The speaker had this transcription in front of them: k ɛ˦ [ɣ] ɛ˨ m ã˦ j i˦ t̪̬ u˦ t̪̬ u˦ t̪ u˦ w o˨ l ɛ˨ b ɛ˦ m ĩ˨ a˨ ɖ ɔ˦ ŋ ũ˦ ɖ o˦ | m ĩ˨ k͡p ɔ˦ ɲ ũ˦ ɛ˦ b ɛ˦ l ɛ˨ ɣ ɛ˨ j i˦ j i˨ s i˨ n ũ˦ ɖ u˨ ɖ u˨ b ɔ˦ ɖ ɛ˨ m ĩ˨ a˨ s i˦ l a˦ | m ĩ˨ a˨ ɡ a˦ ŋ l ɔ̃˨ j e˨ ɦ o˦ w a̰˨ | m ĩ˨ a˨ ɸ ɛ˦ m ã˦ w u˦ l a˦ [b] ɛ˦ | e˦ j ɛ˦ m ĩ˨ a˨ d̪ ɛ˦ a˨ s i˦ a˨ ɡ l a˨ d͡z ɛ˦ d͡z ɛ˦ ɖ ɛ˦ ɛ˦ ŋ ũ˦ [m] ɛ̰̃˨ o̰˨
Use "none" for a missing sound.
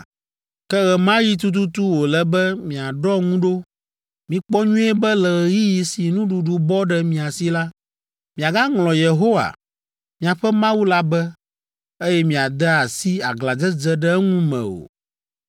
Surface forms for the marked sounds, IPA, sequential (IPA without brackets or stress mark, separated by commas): ɣ, b, m